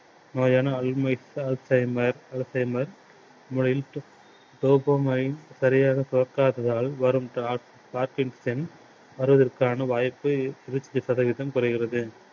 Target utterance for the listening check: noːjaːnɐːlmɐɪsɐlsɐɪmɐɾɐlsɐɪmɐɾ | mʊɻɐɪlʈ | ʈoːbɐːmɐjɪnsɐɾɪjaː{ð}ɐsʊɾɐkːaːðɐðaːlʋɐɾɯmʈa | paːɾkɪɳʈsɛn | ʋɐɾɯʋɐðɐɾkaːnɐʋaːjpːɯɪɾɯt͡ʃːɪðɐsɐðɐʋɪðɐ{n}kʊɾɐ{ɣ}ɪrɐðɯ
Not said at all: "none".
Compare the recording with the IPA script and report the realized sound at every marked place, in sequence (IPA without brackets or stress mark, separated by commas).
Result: ɣ, m, ɣ